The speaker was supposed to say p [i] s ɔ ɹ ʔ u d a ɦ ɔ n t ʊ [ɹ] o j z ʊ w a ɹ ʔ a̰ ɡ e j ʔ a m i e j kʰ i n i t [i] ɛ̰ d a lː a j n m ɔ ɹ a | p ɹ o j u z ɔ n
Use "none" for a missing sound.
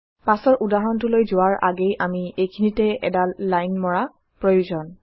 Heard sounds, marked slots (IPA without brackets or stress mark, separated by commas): a, l, ɛ